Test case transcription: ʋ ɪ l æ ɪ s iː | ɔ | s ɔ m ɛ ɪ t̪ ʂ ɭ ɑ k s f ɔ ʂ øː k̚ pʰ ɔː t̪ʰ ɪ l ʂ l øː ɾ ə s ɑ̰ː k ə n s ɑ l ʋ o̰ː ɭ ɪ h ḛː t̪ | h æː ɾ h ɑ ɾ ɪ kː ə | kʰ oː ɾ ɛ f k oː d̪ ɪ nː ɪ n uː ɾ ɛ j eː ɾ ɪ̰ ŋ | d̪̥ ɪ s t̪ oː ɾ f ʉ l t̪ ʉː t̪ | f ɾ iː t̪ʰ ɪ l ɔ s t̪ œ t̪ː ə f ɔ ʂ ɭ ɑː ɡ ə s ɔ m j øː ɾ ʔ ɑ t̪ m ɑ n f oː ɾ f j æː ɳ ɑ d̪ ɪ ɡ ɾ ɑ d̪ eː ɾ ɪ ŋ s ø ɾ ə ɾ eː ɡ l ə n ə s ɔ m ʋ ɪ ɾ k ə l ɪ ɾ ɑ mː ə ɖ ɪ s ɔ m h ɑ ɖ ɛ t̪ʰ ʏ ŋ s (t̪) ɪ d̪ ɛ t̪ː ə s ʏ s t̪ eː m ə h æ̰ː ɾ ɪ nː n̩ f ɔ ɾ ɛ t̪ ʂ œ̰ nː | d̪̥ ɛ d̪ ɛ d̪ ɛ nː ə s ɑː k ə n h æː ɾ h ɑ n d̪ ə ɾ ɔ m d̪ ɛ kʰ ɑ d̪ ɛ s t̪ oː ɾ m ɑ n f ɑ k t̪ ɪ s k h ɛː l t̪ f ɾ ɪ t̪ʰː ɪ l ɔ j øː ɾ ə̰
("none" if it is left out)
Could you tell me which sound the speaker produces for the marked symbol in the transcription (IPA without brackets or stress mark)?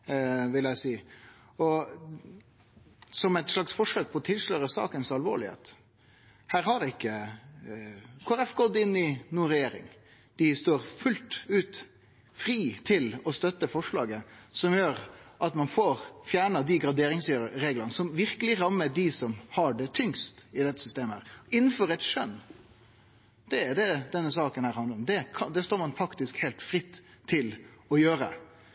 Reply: t̪